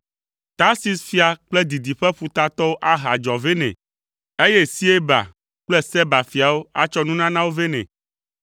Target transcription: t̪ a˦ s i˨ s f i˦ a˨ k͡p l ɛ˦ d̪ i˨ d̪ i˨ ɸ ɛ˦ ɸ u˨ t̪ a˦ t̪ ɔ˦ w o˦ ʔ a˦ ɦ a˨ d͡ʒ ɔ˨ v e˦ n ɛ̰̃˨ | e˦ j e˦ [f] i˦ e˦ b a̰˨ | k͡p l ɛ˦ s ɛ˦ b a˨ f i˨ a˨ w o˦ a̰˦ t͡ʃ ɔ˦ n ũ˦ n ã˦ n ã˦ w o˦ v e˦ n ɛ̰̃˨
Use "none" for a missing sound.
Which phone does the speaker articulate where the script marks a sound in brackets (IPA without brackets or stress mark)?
s